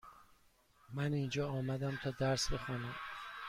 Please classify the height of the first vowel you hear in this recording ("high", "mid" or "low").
low